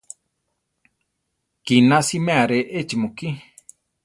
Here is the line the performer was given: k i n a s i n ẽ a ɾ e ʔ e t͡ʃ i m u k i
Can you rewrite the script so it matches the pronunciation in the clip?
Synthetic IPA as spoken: k i n a s i m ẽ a ɾ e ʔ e t͡ʃ i m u k i